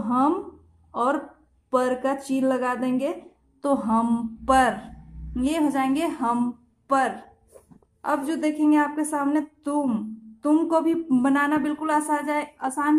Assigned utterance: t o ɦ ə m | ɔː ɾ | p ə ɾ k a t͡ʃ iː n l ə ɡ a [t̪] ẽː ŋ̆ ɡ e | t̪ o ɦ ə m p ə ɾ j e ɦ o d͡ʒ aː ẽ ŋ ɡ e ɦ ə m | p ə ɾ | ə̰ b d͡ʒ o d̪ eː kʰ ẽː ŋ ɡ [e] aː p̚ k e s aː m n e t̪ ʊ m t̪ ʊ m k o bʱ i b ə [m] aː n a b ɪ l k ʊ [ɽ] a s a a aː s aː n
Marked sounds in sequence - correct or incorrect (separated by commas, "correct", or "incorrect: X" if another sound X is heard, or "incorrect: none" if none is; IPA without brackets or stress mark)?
incorrect: d̪, correct, incorrect: n, incorrect: l